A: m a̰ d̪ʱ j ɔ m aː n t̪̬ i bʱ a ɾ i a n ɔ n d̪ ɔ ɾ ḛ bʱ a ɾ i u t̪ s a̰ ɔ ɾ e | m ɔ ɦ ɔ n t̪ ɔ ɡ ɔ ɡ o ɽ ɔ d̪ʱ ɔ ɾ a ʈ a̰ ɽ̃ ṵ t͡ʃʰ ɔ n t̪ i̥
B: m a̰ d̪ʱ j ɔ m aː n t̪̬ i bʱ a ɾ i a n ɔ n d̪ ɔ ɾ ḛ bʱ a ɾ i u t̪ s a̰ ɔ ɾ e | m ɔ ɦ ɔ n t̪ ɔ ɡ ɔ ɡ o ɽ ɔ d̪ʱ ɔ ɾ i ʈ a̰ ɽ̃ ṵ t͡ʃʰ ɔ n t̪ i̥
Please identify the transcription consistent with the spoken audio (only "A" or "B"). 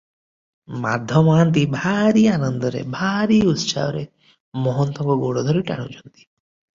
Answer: B